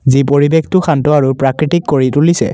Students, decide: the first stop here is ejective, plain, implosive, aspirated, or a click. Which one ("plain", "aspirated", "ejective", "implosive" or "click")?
plain